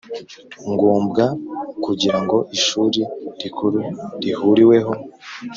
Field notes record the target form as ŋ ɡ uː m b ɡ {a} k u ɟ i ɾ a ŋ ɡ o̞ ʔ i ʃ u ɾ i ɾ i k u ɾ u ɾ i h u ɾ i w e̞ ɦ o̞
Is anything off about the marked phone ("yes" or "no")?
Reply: no